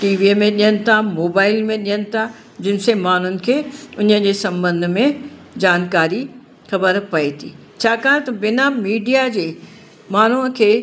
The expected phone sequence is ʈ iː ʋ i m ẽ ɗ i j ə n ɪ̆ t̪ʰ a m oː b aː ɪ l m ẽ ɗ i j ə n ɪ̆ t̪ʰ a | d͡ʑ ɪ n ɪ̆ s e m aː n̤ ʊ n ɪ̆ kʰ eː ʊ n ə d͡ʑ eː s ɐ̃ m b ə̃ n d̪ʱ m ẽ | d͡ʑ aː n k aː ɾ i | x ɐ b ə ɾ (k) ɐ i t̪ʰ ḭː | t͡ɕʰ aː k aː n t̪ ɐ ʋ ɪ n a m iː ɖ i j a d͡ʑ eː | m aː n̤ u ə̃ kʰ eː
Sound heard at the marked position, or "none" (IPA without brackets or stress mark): p